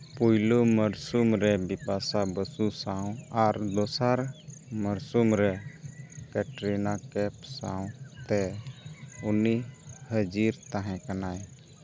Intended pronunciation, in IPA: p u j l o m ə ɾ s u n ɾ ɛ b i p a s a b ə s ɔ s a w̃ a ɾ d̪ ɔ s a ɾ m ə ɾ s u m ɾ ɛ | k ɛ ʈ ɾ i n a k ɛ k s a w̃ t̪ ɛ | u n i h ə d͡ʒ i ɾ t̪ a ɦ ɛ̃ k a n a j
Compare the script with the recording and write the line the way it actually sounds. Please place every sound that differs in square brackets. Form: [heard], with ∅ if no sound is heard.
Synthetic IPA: p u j l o m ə ɾ s u [m] ɾ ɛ b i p a s a b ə s [u] s a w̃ a ɾ d̪ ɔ s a ɾ m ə ɾ s u m ɾ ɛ | k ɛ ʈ ɾ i n a k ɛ [p] s a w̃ t̪ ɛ | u n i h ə d͡ʒ i ɾ t̪ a ɦ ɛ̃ k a n a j